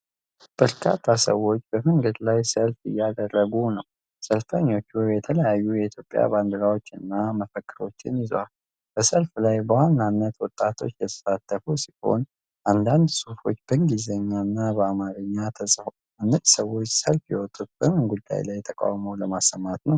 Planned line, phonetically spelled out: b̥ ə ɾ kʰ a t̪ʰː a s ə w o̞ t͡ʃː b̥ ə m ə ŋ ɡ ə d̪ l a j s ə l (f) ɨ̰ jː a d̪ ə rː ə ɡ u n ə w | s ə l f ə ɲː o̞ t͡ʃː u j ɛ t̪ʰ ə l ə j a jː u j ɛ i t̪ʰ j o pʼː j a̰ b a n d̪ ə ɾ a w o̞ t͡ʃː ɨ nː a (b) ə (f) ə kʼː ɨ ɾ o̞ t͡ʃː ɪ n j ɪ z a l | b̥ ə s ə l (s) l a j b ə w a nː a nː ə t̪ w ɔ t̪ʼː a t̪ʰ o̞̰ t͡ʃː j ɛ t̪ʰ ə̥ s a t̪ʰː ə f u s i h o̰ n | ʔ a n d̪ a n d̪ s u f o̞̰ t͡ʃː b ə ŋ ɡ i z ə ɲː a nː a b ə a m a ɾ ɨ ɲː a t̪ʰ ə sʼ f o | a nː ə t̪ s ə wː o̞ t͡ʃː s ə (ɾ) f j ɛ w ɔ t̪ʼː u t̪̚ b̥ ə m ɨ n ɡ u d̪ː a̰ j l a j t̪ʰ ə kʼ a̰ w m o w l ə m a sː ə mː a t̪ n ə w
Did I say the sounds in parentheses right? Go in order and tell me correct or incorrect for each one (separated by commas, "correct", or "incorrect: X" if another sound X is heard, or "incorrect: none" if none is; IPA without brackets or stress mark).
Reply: correct, incorrect: m, correct, incorrect: f, incorrect: l